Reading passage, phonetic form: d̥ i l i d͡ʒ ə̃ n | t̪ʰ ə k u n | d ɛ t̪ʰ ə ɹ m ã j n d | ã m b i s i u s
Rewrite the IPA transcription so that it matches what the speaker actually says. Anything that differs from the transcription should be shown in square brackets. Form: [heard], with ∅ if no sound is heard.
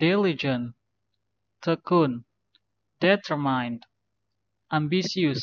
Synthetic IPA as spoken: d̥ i l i d͡ʒ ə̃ n | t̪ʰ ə k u n | d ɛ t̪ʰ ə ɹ m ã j n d | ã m b i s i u s